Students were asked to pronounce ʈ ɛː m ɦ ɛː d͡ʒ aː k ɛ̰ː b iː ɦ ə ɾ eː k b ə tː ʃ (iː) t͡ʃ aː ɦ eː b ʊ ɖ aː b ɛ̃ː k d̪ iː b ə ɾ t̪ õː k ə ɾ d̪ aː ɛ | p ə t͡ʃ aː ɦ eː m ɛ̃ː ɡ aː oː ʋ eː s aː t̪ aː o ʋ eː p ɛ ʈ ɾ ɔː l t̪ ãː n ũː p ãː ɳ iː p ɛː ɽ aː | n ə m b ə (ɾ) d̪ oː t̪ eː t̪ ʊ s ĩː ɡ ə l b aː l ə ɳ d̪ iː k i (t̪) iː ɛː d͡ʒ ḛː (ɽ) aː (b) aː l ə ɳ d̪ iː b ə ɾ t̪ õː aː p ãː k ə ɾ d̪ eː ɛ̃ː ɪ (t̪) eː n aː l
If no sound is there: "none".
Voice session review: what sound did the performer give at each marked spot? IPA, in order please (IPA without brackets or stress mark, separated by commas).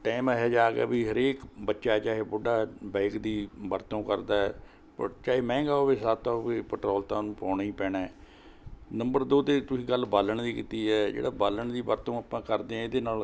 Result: aː, ɾ, t̪, ɽ, b, d̪